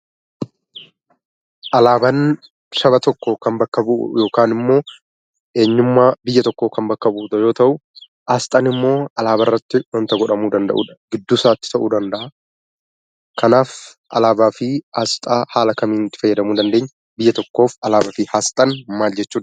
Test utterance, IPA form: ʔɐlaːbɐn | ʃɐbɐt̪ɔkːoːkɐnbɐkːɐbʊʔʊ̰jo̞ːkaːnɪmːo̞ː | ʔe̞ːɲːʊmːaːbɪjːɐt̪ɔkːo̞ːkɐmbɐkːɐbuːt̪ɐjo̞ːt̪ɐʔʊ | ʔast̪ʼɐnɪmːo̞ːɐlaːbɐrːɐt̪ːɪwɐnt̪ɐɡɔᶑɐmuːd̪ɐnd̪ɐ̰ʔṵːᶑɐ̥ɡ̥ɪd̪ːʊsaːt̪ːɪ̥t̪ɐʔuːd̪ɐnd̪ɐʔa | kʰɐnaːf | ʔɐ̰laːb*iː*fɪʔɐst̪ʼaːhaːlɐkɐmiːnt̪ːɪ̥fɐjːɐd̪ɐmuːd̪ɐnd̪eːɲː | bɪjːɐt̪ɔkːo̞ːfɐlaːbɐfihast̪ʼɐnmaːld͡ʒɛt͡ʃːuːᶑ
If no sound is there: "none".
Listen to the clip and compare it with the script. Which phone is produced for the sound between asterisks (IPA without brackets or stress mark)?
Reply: aː